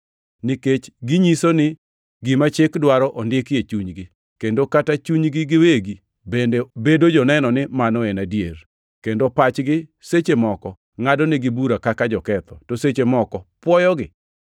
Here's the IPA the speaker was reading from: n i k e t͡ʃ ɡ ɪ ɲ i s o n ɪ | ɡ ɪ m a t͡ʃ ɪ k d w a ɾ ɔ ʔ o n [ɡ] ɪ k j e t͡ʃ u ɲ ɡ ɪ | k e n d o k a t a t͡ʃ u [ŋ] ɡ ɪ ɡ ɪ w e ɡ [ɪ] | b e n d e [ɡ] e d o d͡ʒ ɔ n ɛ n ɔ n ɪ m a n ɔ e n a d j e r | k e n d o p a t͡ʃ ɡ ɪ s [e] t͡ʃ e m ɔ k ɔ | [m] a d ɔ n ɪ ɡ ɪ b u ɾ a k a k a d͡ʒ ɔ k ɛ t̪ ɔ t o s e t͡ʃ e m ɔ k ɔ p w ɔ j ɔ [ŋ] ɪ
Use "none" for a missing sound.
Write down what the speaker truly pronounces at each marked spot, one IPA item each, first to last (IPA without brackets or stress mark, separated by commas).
d, ɲ, i, b, e, ŋ, ɡ